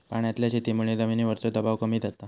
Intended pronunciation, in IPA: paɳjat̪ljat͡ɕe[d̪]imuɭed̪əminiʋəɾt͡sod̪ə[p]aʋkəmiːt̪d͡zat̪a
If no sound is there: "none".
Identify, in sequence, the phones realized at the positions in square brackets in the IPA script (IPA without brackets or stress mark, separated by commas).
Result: t̪, b